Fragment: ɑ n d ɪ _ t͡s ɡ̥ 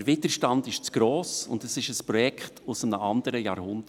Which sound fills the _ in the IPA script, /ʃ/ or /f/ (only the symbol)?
ʃ